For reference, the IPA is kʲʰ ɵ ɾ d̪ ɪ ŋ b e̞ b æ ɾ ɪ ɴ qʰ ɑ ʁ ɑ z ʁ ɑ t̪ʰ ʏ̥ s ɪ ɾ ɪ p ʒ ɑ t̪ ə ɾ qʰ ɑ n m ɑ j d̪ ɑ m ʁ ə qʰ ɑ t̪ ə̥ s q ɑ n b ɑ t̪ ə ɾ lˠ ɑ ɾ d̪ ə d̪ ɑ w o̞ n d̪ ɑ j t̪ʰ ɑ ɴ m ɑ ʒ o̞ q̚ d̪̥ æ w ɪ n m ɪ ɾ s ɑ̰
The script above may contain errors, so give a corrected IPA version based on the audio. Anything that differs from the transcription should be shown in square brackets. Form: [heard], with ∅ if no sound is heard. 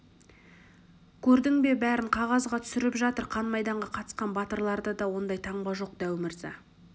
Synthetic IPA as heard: kʲʰ ɵ ɾ d̪ ɪ ŋ b e̞ b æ ɾ ɪ ɴ qʰ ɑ ʁ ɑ z ʁ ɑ t̪ʰ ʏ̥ s ɪ ɾ ɪ p ʒ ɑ t̪ ə ɾ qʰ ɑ n m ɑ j d̪ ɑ [ɴ] ʁ [ɑ] qʰ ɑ t̪ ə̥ s q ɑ n b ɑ t̪ ə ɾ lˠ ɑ ɾ d̪ ə d̪ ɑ w o̞ n d̪ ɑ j t̪ʰ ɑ ɴ [b] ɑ ʒ o̞ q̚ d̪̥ æ w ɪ [∅] m ɪ ɾ [z] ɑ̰

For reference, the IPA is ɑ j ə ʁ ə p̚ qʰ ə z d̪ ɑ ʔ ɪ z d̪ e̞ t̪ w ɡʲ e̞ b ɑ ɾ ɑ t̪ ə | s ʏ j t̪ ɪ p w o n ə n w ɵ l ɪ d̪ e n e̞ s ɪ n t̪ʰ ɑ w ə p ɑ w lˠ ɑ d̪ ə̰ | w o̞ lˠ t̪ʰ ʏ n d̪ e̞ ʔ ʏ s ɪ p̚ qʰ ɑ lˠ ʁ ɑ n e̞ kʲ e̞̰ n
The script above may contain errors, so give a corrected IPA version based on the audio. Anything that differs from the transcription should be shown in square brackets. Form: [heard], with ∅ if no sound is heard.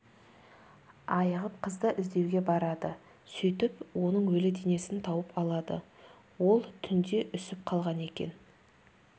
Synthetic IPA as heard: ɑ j ə ʁ ə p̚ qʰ ə z d̪ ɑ ʔ ɪ z d̪ e̞ [∅] w ɡʲ e̞ b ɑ ɾ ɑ [d̪] ə | s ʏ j t̪ ɪ p w o n ə [ɴ] w ɵ l ɪ d̪ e n e̞ s ɪ n t̪ʰ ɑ w ə p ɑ [∅] lˠ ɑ d̪ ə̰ | w o̞ lˠ t̪ʰ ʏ n d̪ e̞ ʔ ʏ s ɪ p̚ qʰ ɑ lˠ ʁ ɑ n e̞ kʲ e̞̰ n

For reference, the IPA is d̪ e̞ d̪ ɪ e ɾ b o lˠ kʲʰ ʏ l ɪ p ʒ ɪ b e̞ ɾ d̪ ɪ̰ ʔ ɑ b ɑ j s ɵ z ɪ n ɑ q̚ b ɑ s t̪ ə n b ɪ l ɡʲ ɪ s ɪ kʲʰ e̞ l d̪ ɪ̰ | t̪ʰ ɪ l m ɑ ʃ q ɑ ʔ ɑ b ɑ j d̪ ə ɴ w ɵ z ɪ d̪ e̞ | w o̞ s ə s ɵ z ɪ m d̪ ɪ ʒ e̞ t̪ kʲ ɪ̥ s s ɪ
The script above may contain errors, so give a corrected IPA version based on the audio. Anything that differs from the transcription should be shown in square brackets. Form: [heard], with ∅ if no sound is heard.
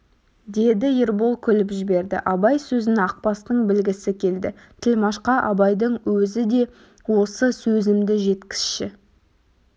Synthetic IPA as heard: d̪ e̞ d̪ ɪ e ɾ b o lˠ kʲʰ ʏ l ɪ p ʒ ɪ b e̞ ɾ d̪ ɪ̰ ʔ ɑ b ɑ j s ɵ z ɪ n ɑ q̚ [p] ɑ s t̪ ə [ɴ] b ɪ l ɡʲ ɪ s ɪ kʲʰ e̞ l d̪ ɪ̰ | t̪ʰ ɪ l m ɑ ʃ q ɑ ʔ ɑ b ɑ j d̪ ə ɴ w ɵ z ɪ d̪ e̞ | w o̞ s ə s ɵ z ɪ m d̪ ɪ ʒ e̞ t̪ kʲ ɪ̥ s [ʃ] ɪ

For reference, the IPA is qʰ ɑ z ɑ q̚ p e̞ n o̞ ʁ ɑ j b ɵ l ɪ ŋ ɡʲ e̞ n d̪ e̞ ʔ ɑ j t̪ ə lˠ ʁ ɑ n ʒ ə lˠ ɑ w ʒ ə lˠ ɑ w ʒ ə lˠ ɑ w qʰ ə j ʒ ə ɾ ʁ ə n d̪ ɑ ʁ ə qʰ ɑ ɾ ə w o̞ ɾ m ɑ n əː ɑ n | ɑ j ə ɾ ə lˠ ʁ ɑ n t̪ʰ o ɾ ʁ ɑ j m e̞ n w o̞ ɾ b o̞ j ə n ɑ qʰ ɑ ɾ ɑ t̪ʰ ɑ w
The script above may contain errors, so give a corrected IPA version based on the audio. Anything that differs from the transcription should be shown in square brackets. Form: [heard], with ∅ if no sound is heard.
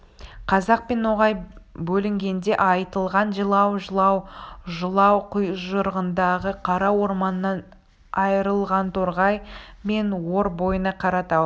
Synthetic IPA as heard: qʰ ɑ z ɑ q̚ p e̞ n o̞ ʁ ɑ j b ɵ l ɪ ŋ ɡʲ e̞ n d̪ e̞ ʔ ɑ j t̪ ə lˠ ʁ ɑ n ʒ ə lˠ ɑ w ʒ ə lˠ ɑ w ʒ ə lˠ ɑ w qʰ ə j ʒ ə ɾ ʁ ə n d̪ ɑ ʁ ə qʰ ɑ ɾ [ɑ] w o̞ ɾ m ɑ n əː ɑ n | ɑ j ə ɾ ə lˠ ʁ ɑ n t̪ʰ o ɾ ʁ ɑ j m e̞ n w o̞ ɾ b o̞ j ə n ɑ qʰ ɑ ɾ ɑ [t̪] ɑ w

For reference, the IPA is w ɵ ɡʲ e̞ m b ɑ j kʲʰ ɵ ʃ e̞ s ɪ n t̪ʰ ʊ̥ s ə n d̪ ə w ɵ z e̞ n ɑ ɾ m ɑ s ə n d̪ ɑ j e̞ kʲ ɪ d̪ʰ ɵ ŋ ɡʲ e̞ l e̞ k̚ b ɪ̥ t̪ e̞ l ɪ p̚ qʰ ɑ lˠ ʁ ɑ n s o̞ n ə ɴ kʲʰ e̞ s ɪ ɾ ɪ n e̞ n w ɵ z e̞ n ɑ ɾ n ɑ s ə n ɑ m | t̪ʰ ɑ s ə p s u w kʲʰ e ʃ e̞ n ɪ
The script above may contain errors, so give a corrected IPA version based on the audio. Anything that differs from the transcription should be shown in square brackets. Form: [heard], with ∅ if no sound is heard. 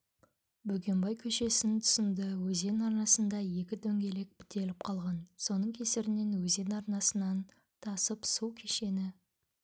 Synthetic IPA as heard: [b] ɵ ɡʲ e̞ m b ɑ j kʲʰ ɵ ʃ e̞ s ɪ n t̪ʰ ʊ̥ s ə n d̪ ə w ɵ z e̞ n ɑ ɾ [n] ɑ s ə n d̪ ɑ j e̞ kʲ ɪ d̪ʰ ɵ ŋ ɡʲ e̞ l e̞ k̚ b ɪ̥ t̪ e̞ l ɪ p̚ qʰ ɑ lˠ ʁ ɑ n s o̞ n ə ɴ kʲʰ e̞ s ɪ ɾ ɪ n e̞ n w ɵ z e̞ n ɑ ɾ n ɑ s ə n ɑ [n] | t̪ʰ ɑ s ə p s u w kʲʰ e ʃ e̞ n ɪ

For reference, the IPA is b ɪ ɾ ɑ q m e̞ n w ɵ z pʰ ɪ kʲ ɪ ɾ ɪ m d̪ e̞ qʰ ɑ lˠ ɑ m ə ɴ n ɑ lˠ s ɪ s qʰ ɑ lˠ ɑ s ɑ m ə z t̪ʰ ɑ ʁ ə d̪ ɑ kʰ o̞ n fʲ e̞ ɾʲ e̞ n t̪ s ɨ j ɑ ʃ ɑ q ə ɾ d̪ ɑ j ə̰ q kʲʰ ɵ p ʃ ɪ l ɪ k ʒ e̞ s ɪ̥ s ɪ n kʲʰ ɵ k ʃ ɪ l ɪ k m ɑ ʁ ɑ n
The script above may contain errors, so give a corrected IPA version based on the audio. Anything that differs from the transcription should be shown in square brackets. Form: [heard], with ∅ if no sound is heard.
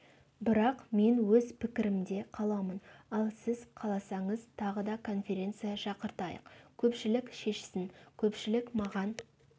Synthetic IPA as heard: b ɪ ɾ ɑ q m e̞ n w ɵ z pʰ ɪ kʲ ɪ ɾ ɪ m d̪ e̞ qʰ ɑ lˠ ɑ m ə [∅] n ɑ lˠ s ɪ [z] qʰ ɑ lˠ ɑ s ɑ [ɴ] ə z t̪ʰ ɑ ʁ ə d̪ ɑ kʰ o̞ n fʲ e̞ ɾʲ e̞ n t̪ s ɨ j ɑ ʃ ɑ q ə ɾ [t̪] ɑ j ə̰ q kʲʰ ɵ p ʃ ɪ l ɪ k [ʃ] e̞ [ʃ] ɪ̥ s ɪ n kʲʰ ɵ [p] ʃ ɪ l ɪ k m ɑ ʁ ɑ n

